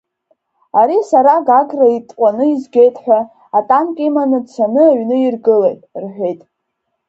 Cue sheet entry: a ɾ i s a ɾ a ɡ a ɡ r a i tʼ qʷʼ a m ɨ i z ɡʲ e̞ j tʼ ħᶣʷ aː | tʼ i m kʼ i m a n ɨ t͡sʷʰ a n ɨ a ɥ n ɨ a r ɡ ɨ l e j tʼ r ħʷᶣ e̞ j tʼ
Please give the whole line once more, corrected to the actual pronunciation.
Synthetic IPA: a ɾ i s a ɾ a ɡ a ɡ r a i tʼ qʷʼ a n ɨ i z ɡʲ e̞ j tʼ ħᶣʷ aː | tʼ a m kʼ i m a n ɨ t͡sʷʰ a n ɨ a ɥ n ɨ i r ɡ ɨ l e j tʼ r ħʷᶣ e̞ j tʼ